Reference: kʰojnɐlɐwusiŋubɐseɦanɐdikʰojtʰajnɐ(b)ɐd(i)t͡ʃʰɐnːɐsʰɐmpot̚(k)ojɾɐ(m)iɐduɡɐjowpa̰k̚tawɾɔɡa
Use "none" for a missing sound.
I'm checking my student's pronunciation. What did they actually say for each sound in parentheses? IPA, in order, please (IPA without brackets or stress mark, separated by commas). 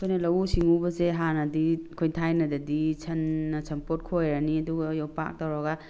d, i, kʰ, n